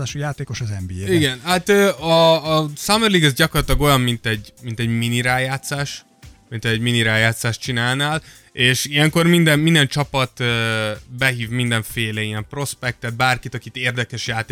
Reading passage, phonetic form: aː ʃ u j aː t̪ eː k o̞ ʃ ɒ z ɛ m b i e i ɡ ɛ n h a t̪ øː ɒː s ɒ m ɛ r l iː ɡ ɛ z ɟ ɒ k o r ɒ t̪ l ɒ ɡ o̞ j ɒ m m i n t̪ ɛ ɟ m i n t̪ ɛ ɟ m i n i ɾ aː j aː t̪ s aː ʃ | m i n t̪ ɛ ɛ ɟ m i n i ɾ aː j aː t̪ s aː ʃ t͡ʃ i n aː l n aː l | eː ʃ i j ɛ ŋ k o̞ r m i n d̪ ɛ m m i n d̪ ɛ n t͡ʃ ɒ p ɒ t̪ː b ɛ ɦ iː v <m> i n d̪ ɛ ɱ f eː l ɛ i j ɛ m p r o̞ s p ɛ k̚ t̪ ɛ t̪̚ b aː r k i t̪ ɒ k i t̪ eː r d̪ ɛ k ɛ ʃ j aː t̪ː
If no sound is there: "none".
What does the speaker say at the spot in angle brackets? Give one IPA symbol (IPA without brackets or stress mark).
m